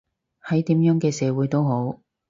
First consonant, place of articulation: glottal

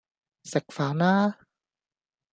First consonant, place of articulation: alveolar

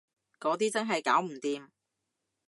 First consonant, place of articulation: velar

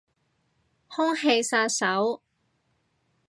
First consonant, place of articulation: glottal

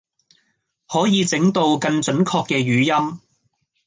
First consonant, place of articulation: glottal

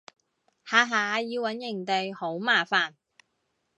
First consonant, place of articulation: glottal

